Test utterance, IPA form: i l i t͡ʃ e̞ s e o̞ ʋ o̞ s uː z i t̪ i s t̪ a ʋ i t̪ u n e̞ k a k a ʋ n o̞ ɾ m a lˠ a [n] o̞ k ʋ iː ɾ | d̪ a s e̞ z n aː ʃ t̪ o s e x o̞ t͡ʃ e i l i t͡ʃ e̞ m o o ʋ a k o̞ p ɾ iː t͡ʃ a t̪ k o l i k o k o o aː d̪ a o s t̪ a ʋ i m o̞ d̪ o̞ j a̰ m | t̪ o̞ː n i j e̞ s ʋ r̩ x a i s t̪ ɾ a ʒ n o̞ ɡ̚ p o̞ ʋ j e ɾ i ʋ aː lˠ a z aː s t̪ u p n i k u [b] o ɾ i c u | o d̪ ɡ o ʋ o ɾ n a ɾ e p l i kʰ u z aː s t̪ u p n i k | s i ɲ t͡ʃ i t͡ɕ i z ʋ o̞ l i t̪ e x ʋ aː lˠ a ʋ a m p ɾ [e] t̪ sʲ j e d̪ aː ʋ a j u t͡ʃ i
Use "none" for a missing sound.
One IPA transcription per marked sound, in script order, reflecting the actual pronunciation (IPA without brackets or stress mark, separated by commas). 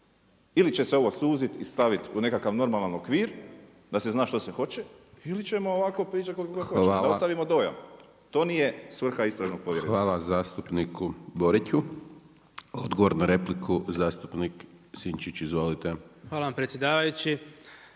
n, b, e